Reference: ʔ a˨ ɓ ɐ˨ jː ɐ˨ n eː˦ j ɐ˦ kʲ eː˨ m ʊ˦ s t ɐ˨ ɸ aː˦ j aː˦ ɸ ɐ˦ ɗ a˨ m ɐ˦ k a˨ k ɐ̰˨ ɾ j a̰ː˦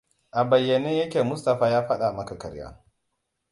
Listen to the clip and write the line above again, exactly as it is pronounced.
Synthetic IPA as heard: ʔ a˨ b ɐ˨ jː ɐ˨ n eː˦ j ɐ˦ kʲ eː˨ m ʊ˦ s t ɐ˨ ɸ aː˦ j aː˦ ɸ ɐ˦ ɗ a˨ m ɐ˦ k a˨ k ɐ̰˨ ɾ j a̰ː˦